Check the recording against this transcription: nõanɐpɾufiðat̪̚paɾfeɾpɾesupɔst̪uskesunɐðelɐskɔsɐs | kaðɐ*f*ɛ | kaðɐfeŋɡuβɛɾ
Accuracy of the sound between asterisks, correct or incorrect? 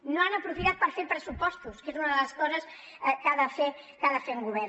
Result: correct